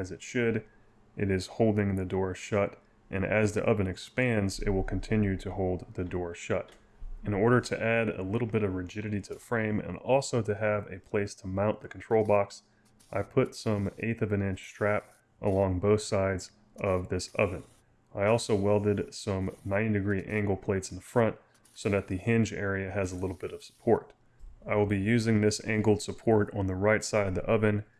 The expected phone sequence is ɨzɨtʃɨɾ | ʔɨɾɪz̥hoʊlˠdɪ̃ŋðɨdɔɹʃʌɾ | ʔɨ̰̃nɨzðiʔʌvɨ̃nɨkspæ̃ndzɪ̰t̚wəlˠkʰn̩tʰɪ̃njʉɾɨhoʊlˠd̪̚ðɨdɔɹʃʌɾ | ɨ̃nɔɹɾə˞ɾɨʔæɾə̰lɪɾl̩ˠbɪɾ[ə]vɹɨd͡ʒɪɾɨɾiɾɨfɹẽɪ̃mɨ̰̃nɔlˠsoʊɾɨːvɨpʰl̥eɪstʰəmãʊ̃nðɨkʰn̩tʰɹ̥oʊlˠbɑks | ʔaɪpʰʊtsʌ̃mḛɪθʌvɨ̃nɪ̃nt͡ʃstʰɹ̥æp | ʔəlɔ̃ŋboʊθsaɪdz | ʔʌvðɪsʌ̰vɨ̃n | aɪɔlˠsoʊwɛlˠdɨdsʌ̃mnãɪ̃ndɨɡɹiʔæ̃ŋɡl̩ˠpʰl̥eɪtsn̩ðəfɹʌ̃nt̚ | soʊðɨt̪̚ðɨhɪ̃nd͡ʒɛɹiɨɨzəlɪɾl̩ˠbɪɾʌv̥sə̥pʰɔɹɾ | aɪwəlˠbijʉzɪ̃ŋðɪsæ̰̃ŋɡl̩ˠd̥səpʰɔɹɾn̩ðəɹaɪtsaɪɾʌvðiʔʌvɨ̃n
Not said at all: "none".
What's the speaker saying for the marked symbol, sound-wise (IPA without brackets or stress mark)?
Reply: ʌ